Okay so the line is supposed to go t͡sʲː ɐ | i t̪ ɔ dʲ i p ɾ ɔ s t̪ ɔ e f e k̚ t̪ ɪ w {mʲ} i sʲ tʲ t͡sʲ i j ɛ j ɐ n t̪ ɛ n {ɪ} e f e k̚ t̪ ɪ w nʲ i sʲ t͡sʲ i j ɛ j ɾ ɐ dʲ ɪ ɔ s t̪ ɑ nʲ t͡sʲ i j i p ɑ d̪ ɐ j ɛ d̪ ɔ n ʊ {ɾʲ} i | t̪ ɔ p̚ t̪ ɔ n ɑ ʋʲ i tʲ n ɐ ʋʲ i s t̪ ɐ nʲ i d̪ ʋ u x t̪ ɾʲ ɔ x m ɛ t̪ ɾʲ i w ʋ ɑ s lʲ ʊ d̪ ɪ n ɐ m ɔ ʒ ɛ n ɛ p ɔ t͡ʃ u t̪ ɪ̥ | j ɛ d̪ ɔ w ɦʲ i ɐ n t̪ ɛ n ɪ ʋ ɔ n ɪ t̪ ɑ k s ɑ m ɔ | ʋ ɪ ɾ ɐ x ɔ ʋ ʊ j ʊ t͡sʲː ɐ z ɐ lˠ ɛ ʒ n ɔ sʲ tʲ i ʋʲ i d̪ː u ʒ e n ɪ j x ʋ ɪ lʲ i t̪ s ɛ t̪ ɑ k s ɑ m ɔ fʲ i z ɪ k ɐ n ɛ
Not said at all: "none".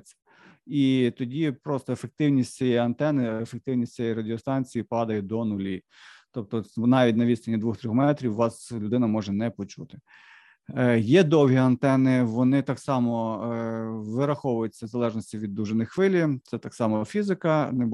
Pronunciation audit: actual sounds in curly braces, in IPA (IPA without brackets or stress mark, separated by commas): nʲ, ɪ, lʲ